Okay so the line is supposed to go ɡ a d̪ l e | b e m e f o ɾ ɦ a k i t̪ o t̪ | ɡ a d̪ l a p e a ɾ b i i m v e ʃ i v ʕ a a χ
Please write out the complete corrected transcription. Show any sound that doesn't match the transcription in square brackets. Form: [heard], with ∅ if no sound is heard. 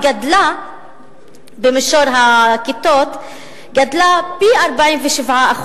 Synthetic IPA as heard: ɡ a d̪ l [a] | b e m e [ʃ] o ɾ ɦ a k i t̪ o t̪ | ɡ a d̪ l a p [i] a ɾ b [a] i m v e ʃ i v ʕ a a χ

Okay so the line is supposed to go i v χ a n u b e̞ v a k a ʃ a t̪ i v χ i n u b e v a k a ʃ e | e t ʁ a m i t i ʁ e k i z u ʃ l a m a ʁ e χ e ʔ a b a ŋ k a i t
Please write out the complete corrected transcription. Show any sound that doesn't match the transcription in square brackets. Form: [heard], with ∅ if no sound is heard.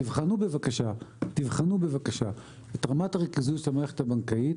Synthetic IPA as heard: i v χ a n u b e̞ v a k a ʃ a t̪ i v χ [a] n u b e v a k a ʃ [a] | e t ʁ a m [a] t [a] ʁ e k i z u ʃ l a m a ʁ e χ e [t] a b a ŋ k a i t

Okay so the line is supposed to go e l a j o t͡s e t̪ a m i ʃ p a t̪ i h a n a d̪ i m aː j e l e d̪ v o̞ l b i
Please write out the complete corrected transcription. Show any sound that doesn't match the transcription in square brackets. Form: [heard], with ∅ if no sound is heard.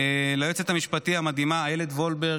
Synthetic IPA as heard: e l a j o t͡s e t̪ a m i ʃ p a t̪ i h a [m] a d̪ i m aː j e l e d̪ v o̞ l b [e]

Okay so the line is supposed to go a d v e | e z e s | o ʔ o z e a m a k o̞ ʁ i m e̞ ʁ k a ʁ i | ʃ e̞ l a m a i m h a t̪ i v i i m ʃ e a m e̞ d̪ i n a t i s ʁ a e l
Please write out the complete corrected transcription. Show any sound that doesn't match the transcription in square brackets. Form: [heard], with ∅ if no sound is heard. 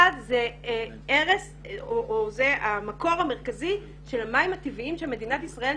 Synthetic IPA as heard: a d [z] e | e [ʁ] e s | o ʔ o z e a m a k o̞ ʁ [a] m e̞ ʁ k a [z] i | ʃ e̞ l a m a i m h a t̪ i v i i m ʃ e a m e̞ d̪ i n a t i s ʁ a e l

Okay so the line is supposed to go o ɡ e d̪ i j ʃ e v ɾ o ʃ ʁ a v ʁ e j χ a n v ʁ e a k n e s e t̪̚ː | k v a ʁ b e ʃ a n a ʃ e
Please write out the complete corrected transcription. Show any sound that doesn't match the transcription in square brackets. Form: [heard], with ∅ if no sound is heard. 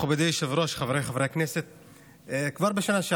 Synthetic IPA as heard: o [b] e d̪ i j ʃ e v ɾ o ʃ [χ] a v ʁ e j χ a [∅] v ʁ e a k n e s e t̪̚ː | k v a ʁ b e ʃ a n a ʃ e

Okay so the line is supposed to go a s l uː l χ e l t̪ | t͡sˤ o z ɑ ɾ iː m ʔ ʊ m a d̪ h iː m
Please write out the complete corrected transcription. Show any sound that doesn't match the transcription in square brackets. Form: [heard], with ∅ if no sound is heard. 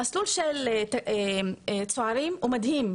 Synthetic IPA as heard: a s l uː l [ʃ] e l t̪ | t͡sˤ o [ʕ] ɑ ɾ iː m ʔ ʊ m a d̪ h iː m

